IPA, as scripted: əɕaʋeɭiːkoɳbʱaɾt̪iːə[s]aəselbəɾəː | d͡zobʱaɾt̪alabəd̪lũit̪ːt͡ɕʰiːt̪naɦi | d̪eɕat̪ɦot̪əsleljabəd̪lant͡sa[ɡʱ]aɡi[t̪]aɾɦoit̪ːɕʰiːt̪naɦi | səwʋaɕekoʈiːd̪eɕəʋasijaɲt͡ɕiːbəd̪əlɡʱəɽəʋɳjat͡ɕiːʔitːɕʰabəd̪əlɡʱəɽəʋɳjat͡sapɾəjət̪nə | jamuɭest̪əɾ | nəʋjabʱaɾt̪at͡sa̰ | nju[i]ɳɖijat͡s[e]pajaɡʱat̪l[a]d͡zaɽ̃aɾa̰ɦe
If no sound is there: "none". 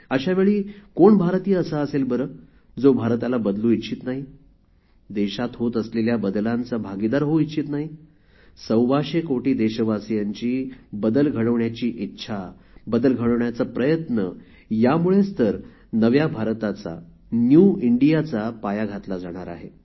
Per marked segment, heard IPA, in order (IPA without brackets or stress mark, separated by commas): s, bʱ, d̪, i, a, a